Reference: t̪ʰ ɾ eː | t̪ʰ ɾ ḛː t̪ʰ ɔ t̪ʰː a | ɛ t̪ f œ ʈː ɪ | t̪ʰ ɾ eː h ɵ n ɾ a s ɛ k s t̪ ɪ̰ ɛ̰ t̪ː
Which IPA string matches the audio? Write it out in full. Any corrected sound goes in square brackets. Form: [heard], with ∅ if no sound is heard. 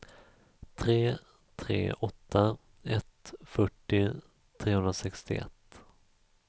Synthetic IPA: t̪ʰ ɾ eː | t̪ʰ ɾ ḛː [∅] ɔ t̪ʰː a | ɛ t̪ f œ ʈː ɪ | t̪ʰ ɾ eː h ɵ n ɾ a s ɛ k s t̪ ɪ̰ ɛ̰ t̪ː